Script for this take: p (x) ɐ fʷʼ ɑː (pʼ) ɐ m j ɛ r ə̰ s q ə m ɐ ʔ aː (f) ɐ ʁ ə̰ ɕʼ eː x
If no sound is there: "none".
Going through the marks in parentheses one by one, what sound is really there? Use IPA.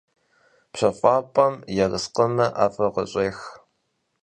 ɕ, pʼ, f

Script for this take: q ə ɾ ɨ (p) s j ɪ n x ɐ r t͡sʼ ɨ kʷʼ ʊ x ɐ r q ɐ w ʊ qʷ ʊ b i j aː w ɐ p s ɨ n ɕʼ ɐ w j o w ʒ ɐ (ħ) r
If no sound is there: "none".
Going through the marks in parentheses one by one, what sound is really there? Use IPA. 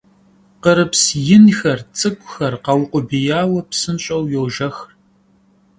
p, x

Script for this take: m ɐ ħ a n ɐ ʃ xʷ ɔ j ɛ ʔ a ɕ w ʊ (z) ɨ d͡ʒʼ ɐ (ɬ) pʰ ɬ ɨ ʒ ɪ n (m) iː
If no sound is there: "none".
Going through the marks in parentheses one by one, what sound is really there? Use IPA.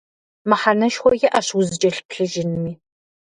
z, ɬ, m

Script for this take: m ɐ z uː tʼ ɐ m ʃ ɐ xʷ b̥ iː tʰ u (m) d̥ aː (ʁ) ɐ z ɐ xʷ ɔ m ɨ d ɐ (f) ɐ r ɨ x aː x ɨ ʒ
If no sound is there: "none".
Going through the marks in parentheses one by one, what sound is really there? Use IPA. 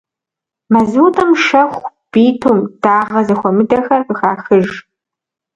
m, ʁ, x

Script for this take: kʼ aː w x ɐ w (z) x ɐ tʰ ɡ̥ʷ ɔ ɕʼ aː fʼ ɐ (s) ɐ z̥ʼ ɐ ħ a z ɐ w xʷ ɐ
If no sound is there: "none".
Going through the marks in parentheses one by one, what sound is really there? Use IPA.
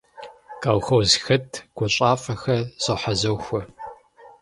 z, x

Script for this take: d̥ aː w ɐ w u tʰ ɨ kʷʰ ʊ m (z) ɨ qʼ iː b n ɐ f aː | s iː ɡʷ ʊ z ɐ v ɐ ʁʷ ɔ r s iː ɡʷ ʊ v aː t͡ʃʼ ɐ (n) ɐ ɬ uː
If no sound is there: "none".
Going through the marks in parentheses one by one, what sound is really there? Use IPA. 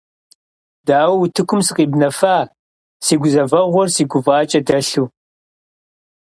s, d

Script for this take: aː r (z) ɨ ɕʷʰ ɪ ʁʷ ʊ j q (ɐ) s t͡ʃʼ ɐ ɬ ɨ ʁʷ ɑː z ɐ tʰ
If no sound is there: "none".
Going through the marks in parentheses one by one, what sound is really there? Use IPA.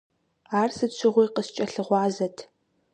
s, ə

